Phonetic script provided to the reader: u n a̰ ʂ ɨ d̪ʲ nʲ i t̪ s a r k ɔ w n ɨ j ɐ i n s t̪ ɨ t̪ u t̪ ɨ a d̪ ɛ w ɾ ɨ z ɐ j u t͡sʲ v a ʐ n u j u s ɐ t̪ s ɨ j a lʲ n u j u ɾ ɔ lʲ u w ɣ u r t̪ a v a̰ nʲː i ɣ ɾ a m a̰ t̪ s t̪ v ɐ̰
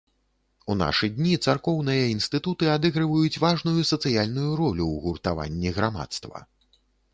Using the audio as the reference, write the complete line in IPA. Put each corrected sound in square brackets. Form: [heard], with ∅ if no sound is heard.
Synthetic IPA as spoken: u n a̰ ʂ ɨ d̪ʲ nʲ i t̪ s a r k ɔ w n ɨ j ɐ i n s t̪ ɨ t̪ u t̪ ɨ a d̪ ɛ [ɣ] ɾ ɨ [v] ɐ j u t͡sʲ v a ʐ n u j u s ɐ t̪ s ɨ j a lʲ n u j u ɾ ɔ lʲ u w ɣ u r t̪ a v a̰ nʲː i ɣ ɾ a m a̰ t̪ s t̪ v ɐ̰